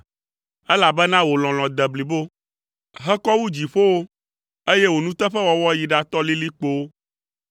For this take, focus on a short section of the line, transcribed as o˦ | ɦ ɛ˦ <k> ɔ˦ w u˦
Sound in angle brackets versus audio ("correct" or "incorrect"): correct